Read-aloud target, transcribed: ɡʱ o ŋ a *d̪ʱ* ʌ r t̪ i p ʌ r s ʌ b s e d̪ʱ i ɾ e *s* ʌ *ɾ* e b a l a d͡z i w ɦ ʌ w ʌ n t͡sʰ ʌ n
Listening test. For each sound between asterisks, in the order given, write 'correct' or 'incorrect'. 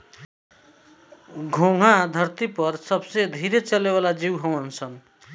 correct, incorrect, incorrect

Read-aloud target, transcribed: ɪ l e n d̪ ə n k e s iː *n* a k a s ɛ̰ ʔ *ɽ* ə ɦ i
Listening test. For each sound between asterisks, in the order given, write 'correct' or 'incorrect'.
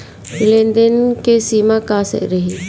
incorrect, incorrect

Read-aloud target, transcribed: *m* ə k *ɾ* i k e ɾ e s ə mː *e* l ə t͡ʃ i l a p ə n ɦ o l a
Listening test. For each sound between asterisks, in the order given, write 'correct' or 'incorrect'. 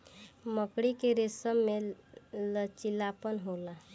correct, incorrect, correct

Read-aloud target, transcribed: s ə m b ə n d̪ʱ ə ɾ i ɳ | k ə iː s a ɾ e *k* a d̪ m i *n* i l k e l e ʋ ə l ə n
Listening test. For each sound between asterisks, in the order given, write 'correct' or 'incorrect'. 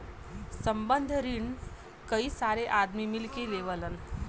incorrect, incorrect

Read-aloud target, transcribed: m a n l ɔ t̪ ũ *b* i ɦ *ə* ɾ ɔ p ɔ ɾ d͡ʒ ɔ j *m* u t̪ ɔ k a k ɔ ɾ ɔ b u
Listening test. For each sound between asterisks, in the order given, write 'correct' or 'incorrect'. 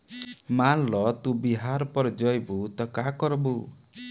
correct, incorrect, incorrect

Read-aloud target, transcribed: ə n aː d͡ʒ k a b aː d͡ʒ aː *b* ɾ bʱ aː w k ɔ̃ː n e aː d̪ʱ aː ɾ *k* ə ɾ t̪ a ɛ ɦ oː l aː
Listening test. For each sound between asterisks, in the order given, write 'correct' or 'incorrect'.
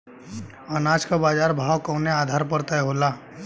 incorrect, incorrect

